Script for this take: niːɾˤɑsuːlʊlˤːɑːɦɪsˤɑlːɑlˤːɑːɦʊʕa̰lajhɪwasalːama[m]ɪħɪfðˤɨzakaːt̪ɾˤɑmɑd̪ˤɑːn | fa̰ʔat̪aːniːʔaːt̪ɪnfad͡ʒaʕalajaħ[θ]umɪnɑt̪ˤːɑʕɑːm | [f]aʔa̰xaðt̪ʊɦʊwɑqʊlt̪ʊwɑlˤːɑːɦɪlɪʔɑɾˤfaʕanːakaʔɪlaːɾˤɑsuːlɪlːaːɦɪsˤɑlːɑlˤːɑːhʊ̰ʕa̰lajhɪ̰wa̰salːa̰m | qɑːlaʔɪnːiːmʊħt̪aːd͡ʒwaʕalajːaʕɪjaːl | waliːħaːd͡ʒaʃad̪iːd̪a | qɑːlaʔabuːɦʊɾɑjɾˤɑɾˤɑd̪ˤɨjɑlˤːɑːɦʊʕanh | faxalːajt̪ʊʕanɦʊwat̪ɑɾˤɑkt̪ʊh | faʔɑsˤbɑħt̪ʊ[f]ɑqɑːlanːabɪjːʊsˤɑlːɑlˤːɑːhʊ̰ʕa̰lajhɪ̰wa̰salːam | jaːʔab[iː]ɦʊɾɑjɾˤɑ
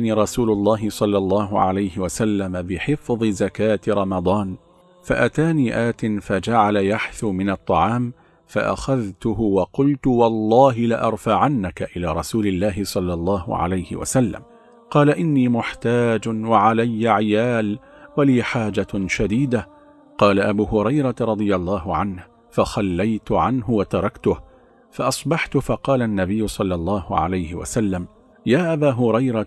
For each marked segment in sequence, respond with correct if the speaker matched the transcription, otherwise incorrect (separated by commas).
incorrect, correct, correct, correct, incorrect